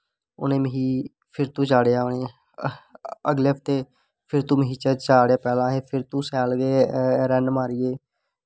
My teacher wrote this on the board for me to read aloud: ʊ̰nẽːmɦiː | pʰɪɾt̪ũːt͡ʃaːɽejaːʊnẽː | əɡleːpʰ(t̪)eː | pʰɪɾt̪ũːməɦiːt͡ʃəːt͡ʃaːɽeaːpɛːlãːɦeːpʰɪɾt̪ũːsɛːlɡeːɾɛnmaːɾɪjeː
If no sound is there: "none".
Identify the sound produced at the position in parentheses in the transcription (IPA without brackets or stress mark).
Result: t̪